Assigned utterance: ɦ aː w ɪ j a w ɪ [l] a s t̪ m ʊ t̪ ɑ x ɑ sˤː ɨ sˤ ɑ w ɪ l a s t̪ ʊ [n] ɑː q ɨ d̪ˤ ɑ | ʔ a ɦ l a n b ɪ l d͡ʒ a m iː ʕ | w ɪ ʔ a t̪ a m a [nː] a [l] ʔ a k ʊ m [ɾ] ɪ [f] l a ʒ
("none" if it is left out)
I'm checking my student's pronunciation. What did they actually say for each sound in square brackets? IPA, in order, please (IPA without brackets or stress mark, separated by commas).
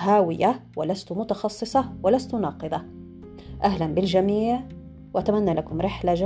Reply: l, n, nː, l, ɾ, ħ